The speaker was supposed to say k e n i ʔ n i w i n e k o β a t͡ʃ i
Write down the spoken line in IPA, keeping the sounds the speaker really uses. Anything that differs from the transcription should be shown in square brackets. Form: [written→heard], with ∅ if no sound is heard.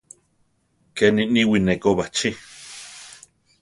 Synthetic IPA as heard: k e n i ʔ n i w i n e k o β a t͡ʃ i